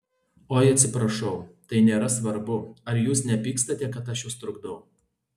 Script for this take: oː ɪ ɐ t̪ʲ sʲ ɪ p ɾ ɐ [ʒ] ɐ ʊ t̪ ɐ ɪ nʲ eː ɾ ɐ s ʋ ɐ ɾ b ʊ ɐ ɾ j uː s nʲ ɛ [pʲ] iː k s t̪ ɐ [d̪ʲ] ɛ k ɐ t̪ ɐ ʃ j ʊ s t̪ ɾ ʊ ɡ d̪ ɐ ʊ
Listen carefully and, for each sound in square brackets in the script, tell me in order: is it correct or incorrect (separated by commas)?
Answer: incorrect, correct, incorrect